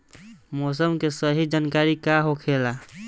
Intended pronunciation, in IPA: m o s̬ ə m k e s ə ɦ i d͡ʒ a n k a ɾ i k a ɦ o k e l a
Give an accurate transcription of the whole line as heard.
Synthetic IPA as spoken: m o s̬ ə m k e s ə ɦ i d͡ʒ a n k a ɾ i k a ɦ o kʰ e l a